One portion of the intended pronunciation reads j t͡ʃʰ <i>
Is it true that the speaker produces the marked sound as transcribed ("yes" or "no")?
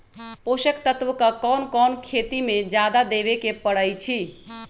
yes